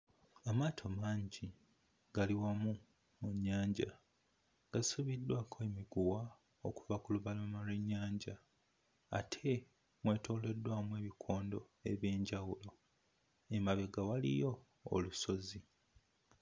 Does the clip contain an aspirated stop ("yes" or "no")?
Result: yes